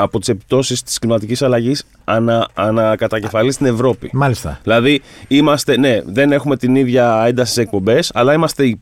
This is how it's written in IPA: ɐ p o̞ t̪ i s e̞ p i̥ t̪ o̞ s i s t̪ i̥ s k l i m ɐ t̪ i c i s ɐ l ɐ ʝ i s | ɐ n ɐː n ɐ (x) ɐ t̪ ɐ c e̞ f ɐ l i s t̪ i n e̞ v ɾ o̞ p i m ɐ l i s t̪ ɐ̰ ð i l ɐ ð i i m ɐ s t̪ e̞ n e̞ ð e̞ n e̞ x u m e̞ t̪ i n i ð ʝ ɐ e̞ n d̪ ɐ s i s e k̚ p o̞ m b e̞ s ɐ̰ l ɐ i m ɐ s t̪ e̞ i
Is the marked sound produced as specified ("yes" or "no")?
no